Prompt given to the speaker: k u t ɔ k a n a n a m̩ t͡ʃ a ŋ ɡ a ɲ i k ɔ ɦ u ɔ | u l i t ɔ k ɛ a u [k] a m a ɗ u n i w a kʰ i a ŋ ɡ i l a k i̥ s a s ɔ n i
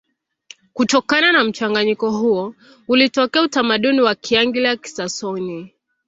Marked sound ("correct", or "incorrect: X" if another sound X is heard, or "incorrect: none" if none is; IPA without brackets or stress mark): incorrect: t